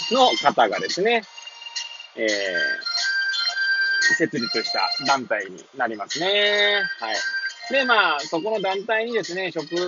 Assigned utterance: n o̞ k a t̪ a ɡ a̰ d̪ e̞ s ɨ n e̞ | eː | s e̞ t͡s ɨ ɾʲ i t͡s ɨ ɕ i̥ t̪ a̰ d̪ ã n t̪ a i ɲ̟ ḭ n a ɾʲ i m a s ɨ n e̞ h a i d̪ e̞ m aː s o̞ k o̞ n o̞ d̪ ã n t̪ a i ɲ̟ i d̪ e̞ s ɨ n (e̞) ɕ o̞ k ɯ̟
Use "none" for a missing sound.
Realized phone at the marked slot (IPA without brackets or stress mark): e̞